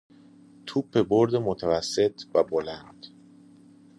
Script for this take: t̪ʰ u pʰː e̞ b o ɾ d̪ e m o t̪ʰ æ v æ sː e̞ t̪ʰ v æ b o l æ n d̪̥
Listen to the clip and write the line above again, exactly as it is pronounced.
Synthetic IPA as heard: t̪ʰ u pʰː e̞ b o ɾ d̪ e m o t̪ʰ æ v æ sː e̞ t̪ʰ v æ b o l æ n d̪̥